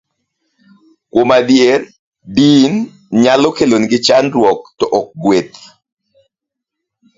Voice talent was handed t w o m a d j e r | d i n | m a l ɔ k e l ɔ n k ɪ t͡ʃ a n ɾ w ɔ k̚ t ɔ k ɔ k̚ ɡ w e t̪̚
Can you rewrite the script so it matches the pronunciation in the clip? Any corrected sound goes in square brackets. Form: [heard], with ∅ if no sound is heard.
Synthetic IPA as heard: [k] w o m a d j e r | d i n | [ɲ] a l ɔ k e l [o] n [ɡ] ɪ t͡ʃ a n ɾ w ɔ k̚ t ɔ [ʔ] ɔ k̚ ɡ w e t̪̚